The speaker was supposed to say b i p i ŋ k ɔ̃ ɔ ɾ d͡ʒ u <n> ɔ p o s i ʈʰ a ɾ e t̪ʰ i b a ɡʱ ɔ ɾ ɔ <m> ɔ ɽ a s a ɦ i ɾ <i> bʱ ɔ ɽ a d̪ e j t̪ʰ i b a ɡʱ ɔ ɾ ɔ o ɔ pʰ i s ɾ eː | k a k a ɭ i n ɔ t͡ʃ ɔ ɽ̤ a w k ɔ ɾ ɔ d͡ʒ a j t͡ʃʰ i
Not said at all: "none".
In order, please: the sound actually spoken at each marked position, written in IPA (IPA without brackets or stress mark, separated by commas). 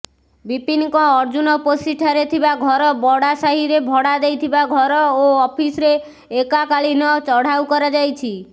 n, b, e